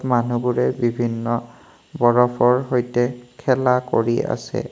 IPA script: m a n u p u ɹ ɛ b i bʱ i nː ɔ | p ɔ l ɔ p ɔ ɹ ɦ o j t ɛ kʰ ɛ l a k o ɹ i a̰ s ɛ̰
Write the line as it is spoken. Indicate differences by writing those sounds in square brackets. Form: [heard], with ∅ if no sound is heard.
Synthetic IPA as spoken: m a n u [b] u ɹ ɛ b i bʱ i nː ɔ | [b] ɔ [ɹ] ɔ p ɔ ɹ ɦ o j t ɛ kʰ ɛ l a k o ɹ i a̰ s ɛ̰

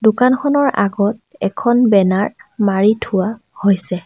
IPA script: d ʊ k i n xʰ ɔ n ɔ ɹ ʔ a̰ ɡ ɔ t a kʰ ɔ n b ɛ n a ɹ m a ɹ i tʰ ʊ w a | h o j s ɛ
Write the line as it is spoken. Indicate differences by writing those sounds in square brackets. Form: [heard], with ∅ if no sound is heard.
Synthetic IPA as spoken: d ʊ k [a] n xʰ ɔ n ɔ ɹ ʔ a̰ ɡ ɔ t [ɛ] kʰ ɔ n b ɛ n a ɹ m a ɹ i tʰ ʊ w a | h o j s ɛ

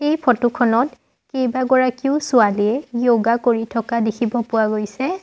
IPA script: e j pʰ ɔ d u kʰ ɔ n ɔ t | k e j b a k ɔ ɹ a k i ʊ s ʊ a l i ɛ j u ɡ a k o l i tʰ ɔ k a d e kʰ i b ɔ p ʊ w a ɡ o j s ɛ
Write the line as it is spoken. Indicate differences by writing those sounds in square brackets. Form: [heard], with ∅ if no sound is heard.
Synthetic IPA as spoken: e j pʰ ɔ [t] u kʰ ɔ n ɔ t | k e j b a [ɡ] ɔ ɹ a k i ʊ s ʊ a l i ɛ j [o] ɡ a k o [ɹ] i tʰ ɔ k a d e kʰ i b ɔ p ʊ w a ɡ o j s ɛ

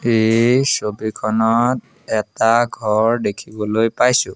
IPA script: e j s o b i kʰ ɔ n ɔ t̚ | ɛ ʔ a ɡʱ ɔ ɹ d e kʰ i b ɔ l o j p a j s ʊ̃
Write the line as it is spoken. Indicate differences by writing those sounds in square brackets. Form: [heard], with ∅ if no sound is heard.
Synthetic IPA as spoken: e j s o b i kʰ ɔ n ɔ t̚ | ɛ [t] a ɡʱ ɔ ɹ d e kʰ i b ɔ l o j p a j s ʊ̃

